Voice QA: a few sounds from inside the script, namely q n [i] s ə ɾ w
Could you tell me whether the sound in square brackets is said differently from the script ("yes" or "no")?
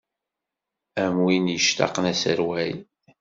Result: yes